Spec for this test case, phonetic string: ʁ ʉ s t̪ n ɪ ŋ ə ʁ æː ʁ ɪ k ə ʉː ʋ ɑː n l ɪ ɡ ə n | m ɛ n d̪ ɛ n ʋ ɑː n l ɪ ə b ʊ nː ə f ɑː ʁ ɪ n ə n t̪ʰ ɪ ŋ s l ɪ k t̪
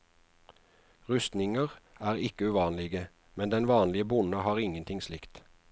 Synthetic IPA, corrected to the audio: ʁ ʉ s t̪ n ɪ ŋ ə ʁ æː ʁ ɪ k ə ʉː ʋ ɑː n l ɪ ɡ ə | m ɛ n d̪ ɛ n ʋ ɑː n l ɪ ə b ʊ n ə h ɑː ʁ ɪ ŋ ə n t̪ʰ ɪ ŋ s l ɪ k t̪